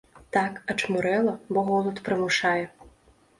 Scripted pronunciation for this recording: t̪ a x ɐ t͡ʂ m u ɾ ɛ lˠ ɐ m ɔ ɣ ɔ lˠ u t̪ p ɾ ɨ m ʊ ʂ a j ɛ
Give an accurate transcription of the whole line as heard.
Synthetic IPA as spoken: t̪ a k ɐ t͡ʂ m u ɾ ɛ lˠ ɐ b ɔ ɣ ɔ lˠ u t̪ p ɾ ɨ m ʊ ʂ a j ɛ